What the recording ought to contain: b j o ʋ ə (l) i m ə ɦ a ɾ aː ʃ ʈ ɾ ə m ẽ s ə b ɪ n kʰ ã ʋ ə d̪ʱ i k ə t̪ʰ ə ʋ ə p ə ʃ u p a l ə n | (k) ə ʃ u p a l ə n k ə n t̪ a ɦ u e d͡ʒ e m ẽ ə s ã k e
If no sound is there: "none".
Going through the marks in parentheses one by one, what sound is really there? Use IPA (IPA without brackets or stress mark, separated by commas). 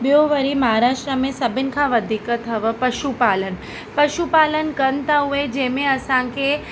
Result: ɾ, p